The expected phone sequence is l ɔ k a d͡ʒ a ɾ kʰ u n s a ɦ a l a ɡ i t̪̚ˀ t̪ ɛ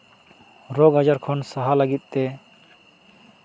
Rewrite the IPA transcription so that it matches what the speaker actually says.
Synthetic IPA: ɾ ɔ ɡ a d͡ʒ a ɾ kʰ ɔ n s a ɦ a l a ɡ i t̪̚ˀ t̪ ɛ